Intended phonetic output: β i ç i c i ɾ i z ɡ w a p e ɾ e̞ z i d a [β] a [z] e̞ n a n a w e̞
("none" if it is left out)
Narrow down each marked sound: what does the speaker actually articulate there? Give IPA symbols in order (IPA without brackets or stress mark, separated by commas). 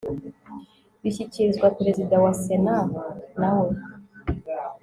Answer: w, s